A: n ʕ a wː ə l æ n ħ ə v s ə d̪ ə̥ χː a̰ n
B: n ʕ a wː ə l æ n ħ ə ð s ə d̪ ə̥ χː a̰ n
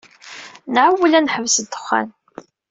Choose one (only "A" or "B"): A